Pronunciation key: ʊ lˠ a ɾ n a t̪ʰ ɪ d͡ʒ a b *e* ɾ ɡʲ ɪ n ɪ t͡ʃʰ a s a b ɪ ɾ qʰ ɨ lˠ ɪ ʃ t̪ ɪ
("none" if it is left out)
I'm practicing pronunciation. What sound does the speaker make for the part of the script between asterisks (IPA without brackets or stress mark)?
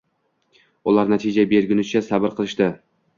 e